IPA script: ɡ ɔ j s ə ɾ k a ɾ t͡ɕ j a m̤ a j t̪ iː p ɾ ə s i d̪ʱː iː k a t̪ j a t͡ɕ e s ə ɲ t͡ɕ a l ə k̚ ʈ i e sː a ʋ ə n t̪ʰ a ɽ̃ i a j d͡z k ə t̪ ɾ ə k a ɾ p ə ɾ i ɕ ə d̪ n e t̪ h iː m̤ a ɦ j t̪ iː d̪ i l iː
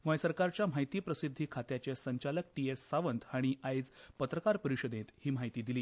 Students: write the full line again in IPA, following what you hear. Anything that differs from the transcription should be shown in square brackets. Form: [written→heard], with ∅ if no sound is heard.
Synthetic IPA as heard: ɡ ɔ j s ə ɾ k a ɾ t͡ɕ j a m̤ a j t̪ iː p ɾ ə s i d̪ʱː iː [k→kʰ] a t̪ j a t͡ɕ e s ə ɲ t͡ɕ a l ə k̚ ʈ i e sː a ʋ ə n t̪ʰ a ɽ̃ i a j d͡z [k→p] ə t̪ ɾ ə k a ɾ p ə ɾ i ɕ ə d̪ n e t̪ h iː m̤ a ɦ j t̪ iː d̪ i l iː

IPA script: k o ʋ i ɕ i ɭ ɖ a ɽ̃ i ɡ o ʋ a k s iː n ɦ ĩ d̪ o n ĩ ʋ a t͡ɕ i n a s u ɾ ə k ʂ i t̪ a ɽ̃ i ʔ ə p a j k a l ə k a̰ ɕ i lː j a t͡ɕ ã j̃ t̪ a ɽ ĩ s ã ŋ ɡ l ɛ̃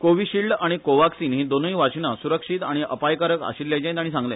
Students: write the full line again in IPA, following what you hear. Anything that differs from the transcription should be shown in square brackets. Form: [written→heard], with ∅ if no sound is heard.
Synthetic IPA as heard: k o ʋ i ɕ i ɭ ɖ a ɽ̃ i [ɡ→k] o ʋ a k s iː n ɦ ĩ d̪ o n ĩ ʋ a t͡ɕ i n a s u ɾ ə k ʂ i t̪ a ɽ̃ i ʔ ə p a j k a [l→ɾ] ə k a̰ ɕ i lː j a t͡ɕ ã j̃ t̪ a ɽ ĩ s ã ŋ ɡ l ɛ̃

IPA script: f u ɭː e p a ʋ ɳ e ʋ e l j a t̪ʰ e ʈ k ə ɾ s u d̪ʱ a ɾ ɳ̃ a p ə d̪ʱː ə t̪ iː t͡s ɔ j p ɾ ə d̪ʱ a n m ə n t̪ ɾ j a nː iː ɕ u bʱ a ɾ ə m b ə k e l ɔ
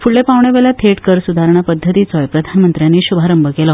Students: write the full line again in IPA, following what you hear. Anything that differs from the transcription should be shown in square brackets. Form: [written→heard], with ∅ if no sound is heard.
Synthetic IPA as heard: f u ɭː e p a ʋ ɳ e ʋ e l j a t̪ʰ e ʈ k ə ɾ s u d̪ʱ a ɾ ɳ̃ a p ə d̪ʱː ə t̪ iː t͡s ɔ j p ɾ ə d̪ʱ a n m ə n t̪ ɾ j a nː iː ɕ u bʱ a ɾ ə m b ə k e l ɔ

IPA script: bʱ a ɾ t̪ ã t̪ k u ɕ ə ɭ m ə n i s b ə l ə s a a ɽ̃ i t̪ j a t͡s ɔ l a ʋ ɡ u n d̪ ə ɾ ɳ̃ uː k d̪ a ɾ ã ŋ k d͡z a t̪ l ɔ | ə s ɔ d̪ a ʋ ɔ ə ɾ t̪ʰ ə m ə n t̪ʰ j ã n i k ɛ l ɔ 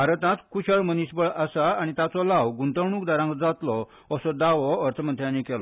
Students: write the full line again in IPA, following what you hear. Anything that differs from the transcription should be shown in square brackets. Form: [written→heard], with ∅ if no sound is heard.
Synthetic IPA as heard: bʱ a ɾ t̪ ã t̪ k u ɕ ə ɭ m ə n i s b ə [l→ɭ] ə s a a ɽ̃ i t̪ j a t͡s ɔ l a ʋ ɡ u n [d̪→t̪] ə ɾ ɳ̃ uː k d̪ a ɾ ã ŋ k d͡z a t̪ l ɔ | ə s ɔ d̪ a ʋ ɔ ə ɾ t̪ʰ ə m ə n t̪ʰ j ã n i k ɛ l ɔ

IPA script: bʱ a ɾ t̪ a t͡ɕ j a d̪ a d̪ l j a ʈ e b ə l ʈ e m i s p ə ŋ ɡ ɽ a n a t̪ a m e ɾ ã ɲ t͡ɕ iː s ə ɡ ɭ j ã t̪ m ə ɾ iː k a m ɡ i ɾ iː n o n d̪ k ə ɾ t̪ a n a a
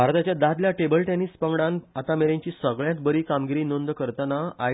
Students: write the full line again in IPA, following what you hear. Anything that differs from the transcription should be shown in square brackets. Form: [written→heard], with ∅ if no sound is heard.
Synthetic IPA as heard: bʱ a ɾ t̪ a t͡ɕ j a d̪ a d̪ l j a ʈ e b ə l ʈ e [m→n] i s p ə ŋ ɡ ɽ a n a t̪ a m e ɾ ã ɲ t͡ɕ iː s ə ɡ ɭ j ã t̪ [m→b] ə ɾ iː k a m ɡ i ɾ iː n o n d̪ k ə ɾ t̪ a n a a

